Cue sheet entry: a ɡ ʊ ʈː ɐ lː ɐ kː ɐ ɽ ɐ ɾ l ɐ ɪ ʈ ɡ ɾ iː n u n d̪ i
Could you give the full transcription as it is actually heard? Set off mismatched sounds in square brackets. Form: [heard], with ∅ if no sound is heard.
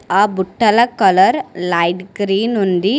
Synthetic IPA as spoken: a [b] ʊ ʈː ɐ [l] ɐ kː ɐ [l] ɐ ɾ l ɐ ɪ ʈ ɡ ɾ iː n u n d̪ i